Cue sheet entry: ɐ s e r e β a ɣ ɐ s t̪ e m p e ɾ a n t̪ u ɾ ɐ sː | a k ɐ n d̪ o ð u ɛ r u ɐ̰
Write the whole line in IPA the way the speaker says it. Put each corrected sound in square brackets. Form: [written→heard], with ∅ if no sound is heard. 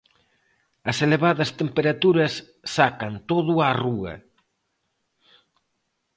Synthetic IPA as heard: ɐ s e [r→l] e β a [ɣ→ð] ɐ s t̪ e m p e ɾ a [n→∅] t̪ u ɾ ɐ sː | a k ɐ n [d̪→t̪] o ð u [ɛ→a] r u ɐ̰